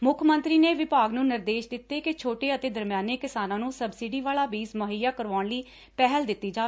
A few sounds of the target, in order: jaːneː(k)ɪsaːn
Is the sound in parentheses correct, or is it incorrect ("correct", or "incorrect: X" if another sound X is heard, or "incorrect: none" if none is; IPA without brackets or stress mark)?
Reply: correct